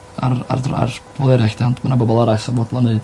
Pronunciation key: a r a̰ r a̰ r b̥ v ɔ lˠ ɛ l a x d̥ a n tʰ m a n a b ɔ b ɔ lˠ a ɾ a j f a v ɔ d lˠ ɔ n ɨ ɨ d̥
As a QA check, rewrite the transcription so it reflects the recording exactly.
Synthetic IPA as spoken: a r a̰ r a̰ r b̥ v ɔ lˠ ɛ ɾ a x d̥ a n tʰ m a n a b ɔ b ɔ lˠ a ɾ a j s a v ɔ d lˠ ɔ n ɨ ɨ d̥